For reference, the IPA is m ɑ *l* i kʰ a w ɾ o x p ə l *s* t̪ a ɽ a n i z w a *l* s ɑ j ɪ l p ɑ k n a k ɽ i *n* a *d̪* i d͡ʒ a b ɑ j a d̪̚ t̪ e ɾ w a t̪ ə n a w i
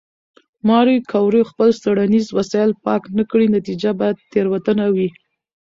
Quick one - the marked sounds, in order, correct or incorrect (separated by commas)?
incorrect, correct, incorrect, correct, incorrect